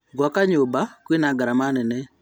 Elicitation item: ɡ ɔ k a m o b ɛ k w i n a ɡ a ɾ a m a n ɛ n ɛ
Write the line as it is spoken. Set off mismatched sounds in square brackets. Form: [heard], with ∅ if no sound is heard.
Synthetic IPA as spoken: ɡ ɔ k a [ɲ] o b [a] k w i n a ɡ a ɾ a m a n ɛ n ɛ

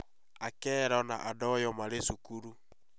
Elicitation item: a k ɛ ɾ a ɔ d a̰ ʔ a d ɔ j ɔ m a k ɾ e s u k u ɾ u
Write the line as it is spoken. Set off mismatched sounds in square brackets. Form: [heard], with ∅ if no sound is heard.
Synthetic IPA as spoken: a k ɛ ɾ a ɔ [n] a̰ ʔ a d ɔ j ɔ m a [∅] ɾ e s u k u ɾ u

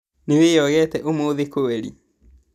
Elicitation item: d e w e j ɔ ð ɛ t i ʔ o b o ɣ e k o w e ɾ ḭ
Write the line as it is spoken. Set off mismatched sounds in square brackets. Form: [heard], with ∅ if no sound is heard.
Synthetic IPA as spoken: [n] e w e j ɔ [ɣ] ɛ t [ɛ] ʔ o [m] o [ð] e k o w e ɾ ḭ

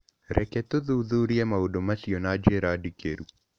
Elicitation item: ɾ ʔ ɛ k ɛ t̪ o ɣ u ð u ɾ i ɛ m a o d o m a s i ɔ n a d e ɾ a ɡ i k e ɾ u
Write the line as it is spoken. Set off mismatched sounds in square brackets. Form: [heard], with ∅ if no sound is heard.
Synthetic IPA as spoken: ɾ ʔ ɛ k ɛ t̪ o [ð] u ð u ɾ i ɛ m a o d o m a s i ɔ n a [d͡ʒ] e ɾ a [d] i k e ɾ u

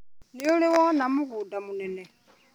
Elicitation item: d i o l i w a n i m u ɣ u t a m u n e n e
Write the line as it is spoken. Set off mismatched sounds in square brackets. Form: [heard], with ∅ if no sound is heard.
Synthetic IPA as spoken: [n] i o l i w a n [a] m u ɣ u [d] a m u n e n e

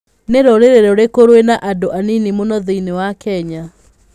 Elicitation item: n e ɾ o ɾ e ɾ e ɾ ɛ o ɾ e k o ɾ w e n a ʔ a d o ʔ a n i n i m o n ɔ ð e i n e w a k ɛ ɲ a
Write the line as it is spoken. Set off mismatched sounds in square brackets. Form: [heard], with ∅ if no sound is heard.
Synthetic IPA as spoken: n e ɾ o ɾ e ɾ e ɾ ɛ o ɾ e k o ɾ w e n a ʔ a d o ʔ a n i n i m o n ɔ ð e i n e w a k ɛ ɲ a

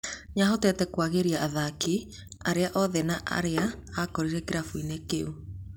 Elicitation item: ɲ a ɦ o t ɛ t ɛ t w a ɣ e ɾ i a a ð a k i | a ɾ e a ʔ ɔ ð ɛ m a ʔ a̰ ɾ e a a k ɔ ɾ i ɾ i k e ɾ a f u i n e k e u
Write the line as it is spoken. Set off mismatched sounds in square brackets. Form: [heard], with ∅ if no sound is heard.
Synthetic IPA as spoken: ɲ a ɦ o t ɛ t ɛ [k] w a ɣ e ɾ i a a ð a k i | a ɾ e a ʔ ɔ ð ɛ [n] a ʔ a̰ ɾ e a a k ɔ ɾ i ɾ [ɛ] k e ɾ a f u i n e k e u

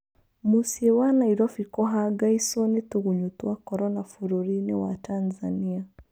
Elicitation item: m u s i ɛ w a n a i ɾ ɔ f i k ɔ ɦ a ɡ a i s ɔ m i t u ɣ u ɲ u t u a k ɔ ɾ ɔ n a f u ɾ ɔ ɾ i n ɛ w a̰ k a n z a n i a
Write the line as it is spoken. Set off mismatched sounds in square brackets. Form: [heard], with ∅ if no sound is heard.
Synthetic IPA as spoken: m u s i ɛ w a n a i ɾ ɔ f i k ɔ ɦ a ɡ a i s ɔ [n] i t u ɣ u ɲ u t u a k ɔ ɾ ɔ n a f u ɾ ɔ ɾ i n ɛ w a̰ [t] a n z a n i a

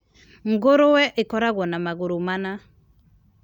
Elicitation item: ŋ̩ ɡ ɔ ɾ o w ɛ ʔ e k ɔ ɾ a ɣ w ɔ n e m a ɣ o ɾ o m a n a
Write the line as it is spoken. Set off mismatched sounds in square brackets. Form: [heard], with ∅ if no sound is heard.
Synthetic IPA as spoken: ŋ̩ ɡ [o] ɾ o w ɛ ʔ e k ɔ ɾ a ɣ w ɔ n [a] m a ɣ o ɾ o m a n a

